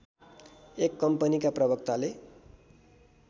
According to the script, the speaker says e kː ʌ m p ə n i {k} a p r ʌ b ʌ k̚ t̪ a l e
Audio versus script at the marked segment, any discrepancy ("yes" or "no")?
no